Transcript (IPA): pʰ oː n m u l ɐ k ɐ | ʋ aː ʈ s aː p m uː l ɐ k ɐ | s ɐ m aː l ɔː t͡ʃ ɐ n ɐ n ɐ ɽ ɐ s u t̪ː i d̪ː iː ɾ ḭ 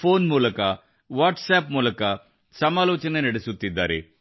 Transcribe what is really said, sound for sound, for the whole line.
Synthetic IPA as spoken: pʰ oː n m uː l ɐ k ɐ | ʋ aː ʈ s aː p m uː l ɐ k ɐ | s ɐ m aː l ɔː t͡ʃ ɐ n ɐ n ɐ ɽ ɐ s u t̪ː i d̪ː aː ɾ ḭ